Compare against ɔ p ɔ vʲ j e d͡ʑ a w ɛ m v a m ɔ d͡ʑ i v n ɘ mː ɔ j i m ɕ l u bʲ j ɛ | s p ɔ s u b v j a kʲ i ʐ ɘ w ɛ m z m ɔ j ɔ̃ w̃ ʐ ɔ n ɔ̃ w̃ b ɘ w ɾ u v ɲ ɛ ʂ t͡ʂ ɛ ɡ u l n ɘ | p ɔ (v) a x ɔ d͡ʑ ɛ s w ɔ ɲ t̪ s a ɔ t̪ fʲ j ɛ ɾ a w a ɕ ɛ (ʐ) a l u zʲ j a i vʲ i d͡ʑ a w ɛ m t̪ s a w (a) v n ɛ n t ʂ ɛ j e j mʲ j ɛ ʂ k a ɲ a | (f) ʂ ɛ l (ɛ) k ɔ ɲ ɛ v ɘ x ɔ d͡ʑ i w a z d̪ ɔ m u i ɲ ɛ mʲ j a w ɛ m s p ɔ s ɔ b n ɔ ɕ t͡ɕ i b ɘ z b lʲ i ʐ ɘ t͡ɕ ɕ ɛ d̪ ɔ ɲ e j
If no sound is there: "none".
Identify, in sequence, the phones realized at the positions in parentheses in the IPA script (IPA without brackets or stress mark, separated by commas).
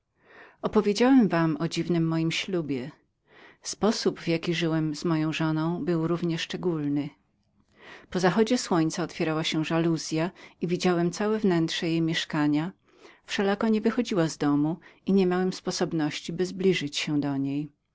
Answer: z, ʐ, ɛ, f, a